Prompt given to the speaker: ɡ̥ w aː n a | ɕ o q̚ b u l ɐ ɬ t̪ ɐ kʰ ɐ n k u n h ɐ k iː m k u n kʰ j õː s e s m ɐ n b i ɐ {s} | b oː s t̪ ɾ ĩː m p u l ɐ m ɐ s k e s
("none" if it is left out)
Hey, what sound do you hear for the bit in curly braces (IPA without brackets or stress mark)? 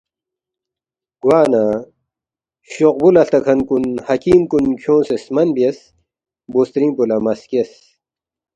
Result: s